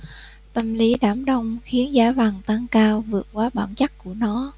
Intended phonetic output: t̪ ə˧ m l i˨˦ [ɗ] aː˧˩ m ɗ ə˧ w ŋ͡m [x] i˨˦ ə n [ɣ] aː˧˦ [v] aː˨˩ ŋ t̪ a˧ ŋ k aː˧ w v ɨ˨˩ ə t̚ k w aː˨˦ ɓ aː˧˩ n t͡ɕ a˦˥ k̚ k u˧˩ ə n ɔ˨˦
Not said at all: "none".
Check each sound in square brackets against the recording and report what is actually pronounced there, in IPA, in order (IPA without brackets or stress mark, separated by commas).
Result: ɗ, x, z, v